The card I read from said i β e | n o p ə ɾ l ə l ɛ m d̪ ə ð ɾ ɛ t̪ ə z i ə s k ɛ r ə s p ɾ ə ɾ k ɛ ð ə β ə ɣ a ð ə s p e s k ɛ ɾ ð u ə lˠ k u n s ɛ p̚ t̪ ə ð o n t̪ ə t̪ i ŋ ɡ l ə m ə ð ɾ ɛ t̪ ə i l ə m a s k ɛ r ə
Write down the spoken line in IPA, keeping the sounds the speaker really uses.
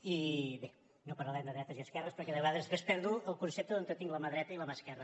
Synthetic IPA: i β e | n o p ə ɾ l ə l ɛ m d̪ ə ð ɾ ɛ t̪ ə z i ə s k ɛ r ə s p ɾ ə ɾ k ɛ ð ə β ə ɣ a ð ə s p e s p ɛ ɾ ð u ə lˠ k u n s e p̚ t̪ ə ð o n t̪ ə t̪ i ŋ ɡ l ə m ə ð ɾ ɛ t̪ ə i l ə m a s k ɛ r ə